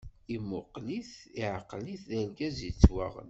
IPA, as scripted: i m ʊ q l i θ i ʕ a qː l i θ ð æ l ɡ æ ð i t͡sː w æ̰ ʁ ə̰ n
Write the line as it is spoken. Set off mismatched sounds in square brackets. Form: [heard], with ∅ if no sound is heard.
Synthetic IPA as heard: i m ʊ q l i θ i ʕ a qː l i θ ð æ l ɡ æ [z] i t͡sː w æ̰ ʁ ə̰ n

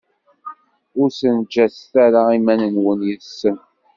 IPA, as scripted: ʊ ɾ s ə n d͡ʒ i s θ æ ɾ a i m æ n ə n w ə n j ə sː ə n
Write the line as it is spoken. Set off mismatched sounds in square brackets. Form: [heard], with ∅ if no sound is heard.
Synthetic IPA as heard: ʊ ɾ s ə n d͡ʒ [æ] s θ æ ɾ a i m æ n ə n w ə n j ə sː ə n

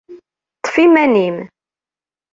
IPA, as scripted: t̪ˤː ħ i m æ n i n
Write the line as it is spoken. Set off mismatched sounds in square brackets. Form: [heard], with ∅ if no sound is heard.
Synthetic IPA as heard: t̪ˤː [f] i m æ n i [m]

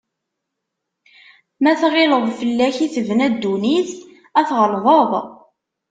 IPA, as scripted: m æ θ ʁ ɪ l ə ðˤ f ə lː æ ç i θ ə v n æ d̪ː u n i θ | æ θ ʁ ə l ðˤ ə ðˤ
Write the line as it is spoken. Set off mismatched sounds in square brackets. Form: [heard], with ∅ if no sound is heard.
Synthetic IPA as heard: m æ θ ʁ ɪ l ə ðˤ f ə lː æ ç i θ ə v n æ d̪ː u n i θ | æ θ ʁ ə l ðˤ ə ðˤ

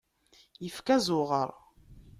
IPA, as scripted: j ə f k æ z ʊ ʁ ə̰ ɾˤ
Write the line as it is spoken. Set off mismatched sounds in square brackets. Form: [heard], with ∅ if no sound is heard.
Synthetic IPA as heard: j ə f k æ z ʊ ʁ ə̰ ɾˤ

